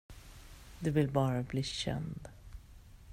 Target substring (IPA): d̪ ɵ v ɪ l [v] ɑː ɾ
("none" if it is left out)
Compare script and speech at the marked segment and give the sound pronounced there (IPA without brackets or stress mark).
b